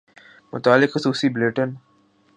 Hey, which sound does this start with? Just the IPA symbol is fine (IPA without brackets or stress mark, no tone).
m